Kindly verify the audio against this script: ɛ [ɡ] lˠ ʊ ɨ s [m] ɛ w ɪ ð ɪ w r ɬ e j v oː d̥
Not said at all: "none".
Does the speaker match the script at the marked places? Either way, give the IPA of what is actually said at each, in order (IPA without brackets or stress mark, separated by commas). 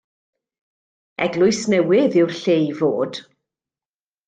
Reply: ɡ, n